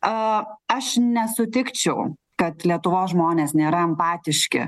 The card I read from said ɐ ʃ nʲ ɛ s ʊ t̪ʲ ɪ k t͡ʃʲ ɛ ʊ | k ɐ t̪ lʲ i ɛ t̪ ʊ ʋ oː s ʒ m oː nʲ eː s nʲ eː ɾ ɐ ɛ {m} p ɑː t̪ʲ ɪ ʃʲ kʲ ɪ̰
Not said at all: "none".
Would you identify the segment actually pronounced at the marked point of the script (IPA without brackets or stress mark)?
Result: m